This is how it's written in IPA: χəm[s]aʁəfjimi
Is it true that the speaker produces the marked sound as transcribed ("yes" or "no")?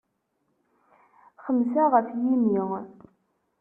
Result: yes